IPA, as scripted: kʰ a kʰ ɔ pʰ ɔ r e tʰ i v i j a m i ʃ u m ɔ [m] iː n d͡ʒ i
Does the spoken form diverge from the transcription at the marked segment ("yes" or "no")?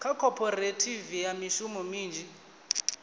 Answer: no